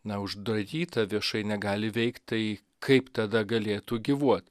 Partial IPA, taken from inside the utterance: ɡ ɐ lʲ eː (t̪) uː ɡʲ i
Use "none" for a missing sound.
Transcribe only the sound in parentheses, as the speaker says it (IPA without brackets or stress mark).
t̪